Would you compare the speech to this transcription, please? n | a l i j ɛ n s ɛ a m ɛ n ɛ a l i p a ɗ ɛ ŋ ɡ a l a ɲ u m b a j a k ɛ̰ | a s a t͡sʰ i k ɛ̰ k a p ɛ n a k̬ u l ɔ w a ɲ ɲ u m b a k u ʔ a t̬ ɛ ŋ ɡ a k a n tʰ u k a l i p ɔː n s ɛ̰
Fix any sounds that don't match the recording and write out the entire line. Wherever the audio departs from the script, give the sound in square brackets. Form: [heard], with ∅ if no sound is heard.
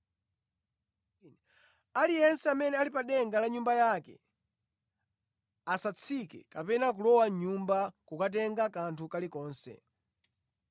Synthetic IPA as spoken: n | a l i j ɛ n s ɛ a m ɛ n ɛ a l i p a ɗ ɛ ŋ ɡ a l a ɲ u m b a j a k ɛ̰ | a s a t͡sʰ i k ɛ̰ k a p ɛ n a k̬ u l ɔ w a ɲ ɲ u m b a k u [k] a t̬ ɛ ŋ ɡ a k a n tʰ u k a l i [k] ɔː n s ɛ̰

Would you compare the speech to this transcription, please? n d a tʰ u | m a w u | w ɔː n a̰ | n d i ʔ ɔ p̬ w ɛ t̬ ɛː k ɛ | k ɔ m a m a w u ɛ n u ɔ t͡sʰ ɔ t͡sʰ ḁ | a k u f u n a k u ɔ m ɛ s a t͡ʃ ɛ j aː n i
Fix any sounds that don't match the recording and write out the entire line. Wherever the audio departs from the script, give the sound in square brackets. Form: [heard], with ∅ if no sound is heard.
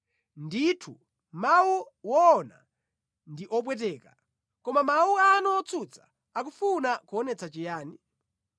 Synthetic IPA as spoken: n d [i] tʰ u | m a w u | w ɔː n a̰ | n d i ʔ ɔ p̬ w ɛ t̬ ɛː k [a] | k ɔ m a m a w u [a] n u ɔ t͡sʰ [u] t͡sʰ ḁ | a k u f u n a k u ɔ [n] ɛ [t͡s] a t͡ʃ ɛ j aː n i

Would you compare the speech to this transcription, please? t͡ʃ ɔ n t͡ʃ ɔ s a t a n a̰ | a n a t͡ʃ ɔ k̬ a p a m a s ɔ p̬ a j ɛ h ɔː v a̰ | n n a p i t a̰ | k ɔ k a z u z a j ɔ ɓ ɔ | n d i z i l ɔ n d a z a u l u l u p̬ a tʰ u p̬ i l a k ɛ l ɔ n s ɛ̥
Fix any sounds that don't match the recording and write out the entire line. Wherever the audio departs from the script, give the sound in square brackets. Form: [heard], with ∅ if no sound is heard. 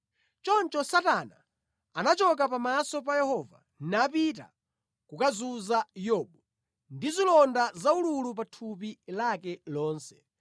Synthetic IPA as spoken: t͡ʃ ɔ n t͡ʃ ɔ s a t a n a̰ | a n a t͡ʃ ɔ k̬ a p a m a s ɔ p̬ a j ɛ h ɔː v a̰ | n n a p i t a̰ | k [u] k a z u z a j ɔ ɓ ɔ | n d i z i l ɔ n d a z a u l u l u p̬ a tʰ u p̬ i l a k ɛ l [ɔː] n s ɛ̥

